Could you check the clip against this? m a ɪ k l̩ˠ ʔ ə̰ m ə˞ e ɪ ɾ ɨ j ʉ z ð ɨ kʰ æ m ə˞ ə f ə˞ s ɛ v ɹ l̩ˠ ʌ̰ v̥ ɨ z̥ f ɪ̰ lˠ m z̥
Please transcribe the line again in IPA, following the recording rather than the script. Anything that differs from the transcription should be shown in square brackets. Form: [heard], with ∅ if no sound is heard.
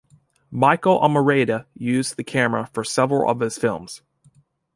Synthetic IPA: m a ɪ k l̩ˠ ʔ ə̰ m ə˞ e ɪ ɾ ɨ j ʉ z ð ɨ kʰ æ m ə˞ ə f ə˞ s ɛ v ɹ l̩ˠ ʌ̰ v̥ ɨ z̥ f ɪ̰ lˠ m z̥